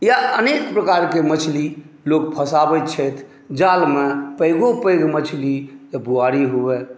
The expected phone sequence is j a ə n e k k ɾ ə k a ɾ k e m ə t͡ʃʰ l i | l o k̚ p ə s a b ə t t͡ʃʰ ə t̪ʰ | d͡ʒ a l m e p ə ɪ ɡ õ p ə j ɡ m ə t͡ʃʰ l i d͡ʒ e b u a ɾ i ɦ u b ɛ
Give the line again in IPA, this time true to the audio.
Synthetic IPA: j a ə n e k p ɾ ə k a ɾ k e m ə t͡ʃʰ l i | l o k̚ pʰ ə s a b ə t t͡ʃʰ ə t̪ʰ | d͡ʒ a l m e p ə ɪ ɡ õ p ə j ɡ m ə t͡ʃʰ l i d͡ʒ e b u a ɾ i ɦ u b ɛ